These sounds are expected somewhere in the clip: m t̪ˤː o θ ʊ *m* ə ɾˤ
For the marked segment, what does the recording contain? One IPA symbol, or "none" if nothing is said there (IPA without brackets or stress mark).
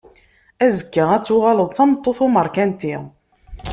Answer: m